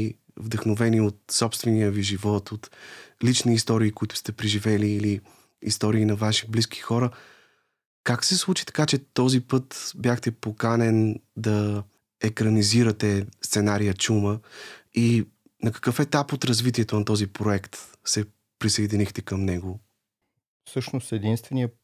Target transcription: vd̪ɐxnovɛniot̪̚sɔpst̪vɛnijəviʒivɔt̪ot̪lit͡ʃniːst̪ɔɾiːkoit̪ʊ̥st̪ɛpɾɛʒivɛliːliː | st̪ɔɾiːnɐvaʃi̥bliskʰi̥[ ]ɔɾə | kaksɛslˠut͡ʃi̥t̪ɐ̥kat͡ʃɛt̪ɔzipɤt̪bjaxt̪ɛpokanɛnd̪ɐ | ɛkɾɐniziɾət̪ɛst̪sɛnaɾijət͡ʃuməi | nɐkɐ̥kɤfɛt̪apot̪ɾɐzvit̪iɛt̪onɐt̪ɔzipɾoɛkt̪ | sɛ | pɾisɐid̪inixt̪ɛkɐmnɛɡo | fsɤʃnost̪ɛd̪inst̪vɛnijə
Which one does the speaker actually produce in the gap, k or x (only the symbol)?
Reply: x